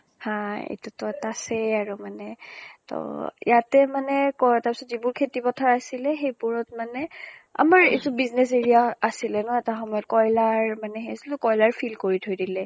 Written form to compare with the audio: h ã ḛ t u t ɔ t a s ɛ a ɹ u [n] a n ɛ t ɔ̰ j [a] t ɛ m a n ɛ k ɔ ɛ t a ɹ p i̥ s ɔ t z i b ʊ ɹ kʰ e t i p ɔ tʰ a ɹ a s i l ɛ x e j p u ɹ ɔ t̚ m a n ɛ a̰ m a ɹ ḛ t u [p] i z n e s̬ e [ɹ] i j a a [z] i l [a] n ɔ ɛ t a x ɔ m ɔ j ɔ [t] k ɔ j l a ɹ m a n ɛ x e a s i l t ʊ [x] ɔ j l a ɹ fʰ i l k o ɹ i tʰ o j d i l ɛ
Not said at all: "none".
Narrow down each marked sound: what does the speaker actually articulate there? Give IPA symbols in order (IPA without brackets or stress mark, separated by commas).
m, a, b, ɹ, s, ɛ, t, k